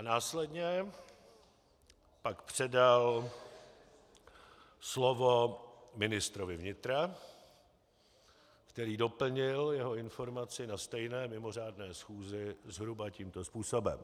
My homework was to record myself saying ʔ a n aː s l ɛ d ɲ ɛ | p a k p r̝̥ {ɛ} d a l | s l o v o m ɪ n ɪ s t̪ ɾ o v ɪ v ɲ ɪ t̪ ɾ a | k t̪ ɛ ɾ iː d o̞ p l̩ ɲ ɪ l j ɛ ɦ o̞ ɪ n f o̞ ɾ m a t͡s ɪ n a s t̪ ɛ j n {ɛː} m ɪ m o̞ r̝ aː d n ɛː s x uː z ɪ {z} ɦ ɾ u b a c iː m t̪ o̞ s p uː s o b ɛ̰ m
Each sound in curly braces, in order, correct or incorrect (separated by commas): correct, correct, correct